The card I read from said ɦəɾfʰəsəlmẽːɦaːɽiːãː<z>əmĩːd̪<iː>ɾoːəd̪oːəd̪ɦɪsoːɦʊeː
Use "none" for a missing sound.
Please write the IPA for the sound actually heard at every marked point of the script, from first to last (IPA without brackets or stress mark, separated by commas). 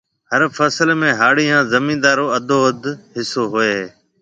z, aː